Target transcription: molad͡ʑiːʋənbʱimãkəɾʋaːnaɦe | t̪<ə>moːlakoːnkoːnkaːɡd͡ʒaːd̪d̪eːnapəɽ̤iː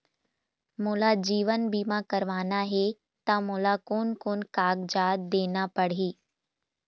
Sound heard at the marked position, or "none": a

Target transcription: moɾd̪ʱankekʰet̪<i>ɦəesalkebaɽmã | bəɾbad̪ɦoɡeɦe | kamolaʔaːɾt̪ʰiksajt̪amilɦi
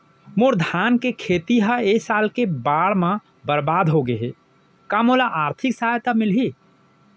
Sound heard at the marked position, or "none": i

